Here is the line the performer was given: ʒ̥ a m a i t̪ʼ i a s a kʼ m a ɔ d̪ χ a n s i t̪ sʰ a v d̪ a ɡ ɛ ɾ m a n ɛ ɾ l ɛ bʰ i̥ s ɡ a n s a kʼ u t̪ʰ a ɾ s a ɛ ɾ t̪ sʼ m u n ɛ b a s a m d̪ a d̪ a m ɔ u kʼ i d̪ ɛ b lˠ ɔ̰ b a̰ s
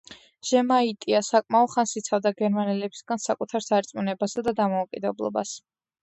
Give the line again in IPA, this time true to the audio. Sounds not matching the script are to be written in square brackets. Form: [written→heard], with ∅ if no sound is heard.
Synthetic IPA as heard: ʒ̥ [a→ɛ] m a i t̪ʼ i a s a kʼ m a ɔ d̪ χ a n s i t̪ sʰ a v d̪ a ɡ ɛ ɾ m a n ɛ [ɾ→∅] l ɛ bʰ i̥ s ɡ a n s a kʼ u t̪ʰ a ɾ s a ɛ ɾ t̪ sʼ m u n ɛ b a s a [m→∅] d̪ a d̪ a m ɔ u kʼ i d̪ ɛ b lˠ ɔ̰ b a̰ s